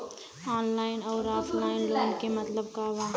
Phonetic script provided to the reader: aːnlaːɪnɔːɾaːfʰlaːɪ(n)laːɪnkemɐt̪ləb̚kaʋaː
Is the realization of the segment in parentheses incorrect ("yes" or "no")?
no